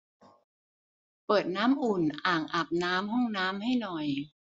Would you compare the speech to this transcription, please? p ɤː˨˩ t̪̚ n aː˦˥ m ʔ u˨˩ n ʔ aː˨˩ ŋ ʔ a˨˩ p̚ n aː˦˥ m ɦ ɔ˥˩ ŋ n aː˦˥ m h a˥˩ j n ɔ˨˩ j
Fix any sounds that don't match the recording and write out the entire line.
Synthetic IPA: p ɤː˨˩ t̪̚ n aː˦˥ m ʔ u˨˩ n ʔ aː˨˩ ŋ ʔ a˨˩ p̚ n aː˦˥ m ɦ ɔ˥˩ ŋ n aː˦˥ m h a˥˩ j n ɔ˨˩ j